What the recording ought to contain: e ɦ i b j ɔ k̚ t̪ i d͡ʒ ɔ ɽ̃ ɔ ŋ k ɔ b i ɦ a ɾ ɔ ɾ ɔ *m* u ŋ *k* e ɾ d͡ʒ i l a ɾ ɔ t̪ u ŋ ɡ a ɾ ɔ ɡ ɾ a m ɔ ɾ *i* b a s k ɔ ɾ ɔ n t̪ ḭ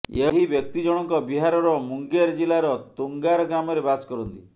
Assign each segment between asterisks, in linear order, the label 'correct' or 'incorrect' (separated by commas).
correct, incorrect, incorrect